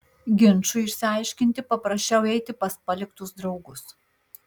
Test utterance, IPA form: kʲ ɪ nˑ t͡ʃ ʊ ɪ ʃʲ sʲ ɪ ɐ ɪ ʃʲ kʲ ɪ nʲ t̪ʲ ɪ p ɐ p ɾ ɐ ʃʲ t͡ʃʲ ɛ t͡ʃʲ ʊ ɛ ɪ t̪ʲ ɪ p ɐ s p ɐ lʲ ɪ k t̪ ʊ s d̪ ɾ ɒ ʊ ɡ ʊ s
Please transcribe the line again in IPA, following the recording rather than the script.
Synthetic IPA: ɡʲ ɪ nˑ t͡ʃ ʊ ɪ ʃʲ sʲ ɪ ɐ ɪ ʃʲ kʲ ɪ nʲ t̪ʲ ɪ p ɐ p ɾ ɐ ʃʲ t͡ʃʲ ɛ ʊ ɛ ɪ t̪ʲ ɪ p ɐ s p ɐ lʲ ɪ k t̪ ʊ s d̪ ɾ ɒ ʊ ɡ ʊ s